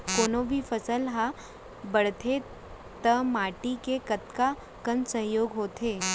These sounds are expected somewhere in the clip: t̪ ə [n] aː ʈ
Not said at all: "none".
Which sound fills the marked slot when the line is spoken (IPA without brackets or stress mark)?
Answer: m